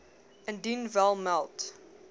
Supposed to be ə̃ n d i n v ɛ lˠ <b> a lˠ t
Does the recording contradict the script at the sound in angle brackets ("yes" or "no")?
yes